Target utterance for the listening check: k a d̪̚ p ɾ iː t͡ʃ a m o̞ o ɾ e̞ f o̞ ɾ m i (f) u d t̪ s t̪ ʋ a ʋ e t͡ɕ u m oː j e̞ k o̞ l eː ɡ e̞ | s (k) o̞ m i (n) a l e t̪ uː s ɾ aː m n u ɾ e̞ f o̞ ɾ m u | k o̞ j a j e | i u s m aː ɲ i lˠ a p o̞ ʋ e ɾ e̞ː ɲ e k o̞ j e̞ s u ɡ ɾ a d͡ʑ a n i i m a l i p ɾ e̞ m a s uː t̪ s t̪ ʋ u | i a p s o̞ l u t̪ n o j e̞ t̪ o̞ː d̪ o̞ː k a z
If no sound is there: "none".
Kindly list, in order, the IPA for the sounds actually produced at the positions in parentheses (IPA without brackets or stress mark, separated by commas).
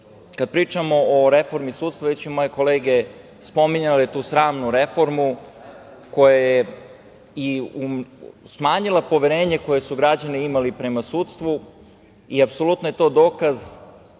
s, p, ɲ